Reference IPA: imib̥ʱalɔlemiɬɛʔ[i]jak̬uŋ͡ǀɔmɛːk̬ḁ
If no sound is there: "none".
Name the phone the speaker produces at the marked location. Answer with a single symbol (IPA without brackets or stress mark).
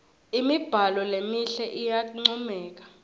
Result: i